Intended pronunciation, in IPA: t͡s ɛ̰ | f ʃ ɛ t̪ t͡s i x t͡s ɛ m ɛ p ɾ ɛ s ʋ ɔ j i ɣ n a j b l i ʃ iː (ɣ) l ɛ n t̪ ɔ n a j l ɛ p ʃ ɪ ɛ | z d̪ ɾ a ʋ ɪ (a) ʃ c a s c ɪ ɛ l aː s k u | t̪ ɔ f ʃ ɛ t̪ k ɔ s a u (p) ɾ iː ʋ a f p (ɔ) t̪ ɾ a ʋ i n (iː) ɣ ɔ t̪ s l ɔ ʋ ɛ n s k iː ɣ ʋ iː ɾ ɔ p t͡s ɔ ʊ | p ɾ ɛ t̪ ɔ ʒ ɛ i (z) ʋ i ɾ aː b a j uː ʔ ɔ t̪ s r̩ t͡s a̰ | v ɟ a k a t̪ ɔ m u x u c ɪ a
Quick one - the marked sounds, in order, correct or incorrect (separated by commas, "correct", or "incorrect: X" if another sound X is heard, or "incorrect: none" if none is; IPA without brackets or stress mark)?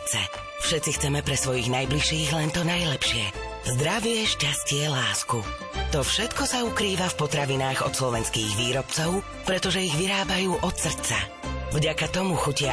correct, incorrect: ɛ, incorrect: k, correct, incorrect: aː, incorrect: ɣ